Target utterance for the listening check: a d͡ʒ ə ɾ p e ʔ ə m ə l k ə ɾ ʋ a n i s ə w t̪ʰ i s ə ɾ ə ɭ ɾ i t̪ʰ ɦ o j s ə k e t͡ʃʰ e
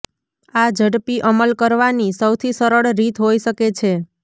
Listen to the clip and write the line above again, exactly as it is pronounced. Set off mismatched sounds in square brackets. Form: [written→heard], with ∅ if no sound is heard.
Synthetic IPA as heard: a d͡ʒ ə [ɾ→ɽ] p [e→i] ʔ ə m ə l k ə ɾ ʋ a n i s ə w t̪ʰ i s ə ɾ ə ɭ ɾ i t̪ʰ ɦ o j [s→ʃ] ə k e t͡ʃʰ e